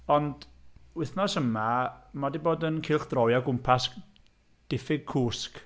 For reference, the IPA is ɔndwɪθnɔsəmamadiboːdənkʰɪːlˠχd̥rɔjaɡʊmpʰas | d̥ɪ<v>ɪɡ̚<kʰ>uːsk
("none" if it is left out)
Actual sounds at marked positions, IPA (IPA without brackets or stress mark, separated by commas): f, kʰ